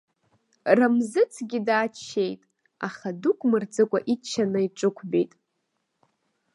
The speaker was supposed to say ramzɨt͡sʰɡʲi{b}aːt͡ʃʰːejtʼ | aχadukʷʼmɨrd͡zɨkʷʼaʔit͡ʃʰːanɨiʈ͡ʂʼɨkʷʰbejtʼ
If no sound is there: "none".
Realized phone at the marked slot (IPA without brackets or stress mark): d